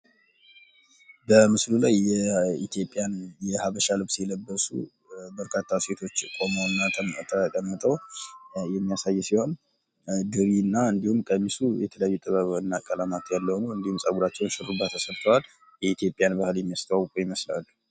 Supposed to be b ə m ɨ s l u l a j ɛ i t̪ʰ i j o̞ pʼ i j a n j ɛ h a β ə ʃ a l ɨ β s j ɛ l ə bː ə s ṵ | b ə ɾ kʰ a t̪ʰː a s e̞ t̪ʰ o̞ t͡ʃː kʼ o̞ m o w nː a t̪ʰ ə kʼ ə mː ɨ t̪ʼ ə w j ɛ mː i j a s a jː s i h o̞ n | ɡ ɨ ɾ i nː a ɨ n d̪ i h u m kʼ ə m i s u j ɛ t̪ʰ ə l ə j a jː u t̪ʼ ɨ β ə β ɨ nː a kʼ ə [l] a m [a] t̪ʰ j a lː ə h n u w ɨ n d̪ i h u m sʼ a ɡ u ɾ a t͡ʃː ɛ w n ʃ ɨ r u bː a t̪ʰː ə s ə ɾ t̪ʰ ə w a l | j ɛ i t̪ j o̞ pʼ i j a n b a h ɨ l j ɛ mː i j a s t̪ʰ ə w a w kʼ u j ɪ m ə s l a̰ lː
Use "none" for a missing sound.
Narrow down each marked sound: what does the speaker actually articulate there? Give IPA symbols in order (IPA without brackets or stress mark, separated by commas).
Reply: l, a